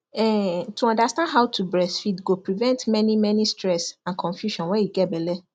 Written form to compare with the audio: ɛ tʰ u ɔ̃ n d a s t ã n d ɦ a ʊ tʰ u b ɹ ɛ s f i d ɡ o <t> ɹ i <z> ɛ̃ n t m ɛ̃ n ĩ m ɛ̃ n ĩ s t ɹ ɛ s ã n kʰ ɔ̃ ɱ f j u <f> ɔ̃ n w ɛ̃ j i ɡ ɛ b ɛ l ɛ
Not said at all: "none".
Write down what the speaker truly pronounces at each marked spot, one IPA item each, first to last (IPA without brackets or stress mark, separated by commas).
p, v, ʃ